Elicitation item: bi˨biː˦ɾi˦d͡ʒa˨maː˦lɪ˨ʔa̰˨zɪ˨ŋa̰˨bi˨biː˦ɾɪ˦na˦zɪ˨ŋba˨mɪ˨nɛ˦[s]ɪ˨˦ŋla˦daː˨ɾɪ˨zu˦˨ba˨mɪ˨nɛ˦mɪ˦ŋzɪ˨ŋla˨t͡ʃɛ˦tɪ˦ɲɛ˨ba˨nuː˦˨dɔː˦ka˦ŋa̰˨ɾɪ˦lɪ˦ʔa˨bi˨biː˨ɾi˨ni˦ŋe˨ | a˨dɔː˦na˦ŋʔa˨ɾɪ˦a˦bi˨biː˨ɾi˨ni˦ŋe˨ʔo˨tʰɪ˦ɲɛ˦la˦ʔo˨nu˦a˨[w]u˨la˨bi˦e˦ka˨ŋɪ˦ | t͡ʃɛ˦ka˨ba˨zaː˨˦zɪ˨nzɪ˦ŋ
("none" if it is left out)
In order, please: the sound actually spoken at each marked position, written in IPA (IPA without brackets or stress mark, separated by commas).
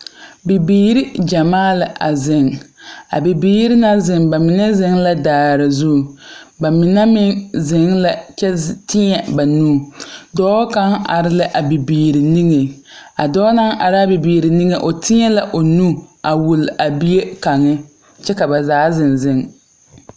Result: z, w